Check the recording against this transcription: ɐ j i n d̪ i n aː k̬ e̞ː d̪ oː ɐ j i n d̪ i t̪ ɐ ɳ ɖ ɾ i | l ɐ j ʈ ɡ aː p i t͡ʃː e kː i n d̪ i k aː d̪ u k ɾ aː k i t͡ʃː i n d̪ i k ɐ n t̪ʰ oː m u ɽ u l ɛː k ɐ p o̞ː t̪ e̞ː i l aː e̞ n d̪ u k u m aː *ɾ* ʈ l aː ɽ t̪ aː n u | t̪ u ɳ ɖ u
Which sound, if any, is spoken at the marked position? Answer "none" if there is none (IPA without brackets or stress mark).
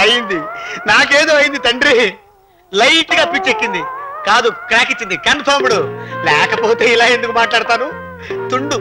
none